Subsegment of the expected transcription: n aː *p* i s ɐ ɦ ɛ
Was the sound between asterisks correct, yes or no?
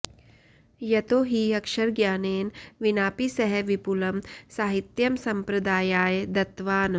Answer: yes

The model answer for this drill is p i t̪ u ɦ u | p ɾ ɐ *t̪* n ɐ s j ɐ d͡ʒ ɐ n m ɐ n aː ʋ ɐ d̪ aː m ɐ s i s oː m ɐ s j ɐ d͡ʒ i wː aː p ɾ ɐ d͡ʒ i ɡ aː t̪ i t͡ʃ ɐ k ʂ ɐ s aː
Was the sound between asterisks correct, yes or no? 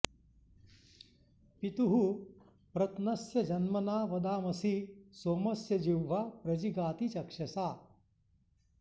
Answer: yes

